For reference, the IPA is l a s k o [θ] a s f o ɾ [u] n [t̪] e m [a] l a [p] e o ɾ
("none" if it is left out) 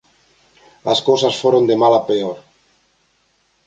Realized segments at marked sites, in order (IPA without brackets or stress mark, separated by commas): s, o, d̪, a, p